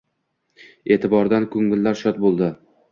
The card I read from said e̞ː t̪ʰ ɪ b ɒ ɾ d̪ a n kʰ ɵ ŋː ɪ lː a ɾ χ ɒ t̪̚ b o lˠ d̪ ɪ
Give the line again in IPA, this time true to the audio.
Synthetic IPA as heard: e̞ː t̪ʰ ɪ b ɒ ɾ d̪ a n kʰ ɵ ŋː ɪ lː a ɾ ʃ ɒ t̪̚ b o lˠ d̪ ɪ